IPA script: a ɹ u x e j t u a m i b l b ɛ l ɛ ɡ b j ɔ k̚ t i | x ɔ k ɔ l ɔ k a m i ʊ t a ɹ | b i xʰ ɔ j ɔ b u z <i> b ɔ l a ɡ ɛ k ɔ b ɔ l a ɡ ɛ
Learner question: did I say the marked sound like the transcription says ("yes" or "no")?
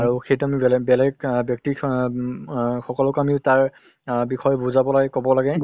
no